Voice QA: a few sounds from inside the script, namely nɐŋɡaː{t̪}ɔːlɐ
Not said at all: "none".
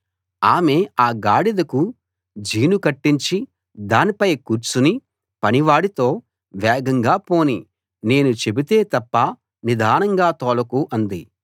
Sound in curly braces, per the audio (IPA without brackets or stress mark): t̪